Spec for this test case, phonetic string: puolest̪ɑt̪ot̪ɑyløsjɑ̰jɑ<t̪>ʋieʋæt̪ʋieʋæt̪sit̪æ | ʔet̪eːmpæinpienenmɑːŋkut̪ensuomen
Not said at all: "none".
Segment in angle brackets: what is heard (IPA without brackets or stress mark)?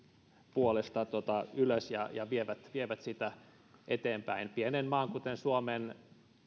none